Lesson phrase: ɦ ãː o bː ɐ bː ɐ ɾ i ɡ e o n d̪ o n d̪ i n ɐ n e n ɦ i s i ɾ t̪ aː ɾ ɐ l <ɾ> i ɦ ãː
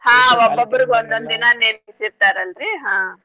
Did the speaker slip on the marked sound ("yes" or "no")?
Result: no